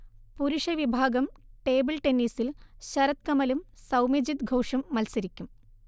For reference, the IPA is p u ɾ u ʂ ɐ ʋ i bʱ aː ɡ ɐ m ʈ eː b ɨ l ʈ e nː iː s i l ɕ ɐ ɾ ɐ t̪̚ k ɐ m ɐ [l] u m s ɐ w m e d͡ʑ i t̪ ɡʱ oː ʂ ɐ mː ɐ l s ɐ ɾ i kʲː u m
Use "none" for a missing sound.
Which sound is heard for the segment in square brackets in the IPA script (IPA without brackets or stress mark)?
l